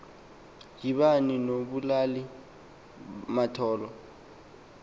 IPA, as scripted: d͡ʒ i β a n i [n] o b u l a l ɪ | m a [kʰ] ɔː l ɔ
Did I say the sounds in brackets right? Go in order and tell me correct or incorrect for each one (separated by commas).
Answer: correct, incorrect